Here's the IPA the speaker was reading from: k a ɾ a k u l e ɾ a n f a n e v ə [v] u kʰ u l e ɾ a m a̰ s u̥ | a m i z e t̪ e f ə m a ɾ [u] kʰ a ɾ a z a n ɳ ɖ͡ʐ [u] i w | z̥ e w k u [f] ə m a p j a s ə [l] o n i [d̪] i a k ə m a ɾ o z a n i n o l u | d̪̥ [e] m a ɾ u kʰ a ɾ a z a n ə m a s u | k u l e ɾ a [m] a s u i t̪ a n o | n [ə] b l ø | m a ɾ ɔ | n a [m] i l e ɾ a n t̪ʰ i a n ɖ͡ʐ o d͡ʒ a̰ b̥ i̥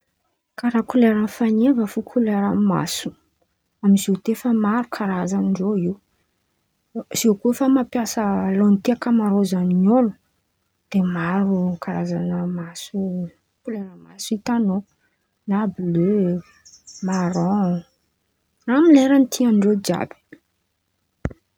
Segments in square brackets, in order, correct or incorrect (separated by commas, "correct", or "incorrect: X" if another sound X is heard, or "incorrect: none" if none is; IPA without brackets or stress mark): incorrect: f, correct, incorrect: o, correct, correct, incorrect: t̪, correct, correct, incorrect: a, correct